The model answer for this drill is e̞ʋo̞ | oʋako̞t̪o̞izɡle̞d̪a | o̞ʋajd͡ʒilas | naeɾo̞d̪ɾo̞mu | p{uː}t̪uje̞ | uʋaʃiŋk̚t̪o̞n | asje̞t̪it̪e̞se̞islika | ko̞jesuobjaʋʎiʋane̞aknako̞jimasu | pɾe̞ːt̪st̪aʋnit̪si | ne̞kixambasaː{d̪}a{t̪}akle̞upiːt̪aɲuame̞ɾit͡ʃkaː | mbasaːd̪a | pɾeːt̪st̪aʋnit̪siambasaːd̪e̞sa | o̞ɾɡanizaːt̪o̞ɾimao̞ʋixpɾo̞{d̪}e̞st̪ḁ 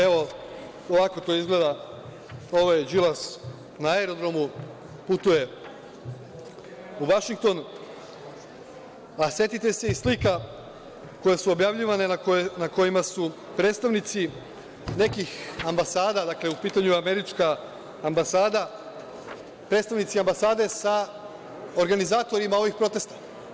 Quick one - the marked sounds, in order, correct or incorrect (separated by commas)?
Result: incorrect, correct, incorrect, incorrect